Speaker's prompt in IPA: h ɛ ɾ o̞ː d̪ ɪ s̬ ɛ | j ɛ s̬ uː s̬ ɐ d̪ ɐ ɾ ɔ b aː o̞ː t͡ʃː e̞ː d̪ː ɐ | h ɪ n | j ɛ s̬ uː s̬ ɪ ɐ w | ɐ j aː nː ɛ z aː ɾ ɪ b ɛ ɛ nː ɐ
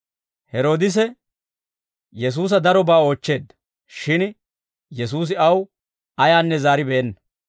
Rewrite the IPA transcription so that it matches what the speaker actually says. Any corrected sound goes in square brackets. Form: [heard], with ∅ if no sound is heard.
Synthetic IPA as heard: h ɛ ɾ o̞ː d̪ ɪ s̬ ɛ | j ɛ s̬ uː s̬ ɐ d̪ ɐ ɾ ɔ b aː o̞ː t͡ʃː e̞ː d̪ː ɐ | [ʃ] ɪ n | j ɛ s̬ uː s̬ ɪ ɐ w | ɐ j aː nː ɛ z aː ɾ ɪ b ɛ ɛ nː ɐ